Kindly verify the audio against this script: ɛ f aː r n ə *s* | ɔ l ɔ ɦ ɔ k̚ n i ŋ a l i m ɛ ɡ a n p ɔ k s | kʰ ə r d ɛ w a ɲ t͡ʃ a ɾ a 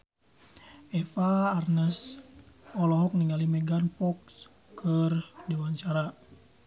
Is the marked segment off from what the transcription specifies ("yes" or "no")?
no